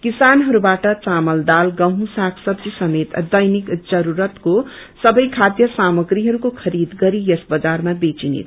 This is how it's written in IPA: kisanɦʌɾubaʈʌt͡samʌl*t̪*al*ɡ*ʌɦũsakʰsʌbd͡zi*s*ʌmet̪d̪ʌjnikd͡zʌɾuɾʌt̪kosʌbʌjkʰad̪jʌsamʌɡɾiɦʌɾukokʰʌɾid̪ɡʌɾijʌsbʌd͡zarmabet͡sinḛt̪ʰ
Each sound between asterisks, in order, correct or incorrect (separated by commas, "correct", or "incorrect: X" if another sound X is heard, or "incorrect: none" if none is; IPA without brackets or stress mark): incorrect: d̪, correct, correct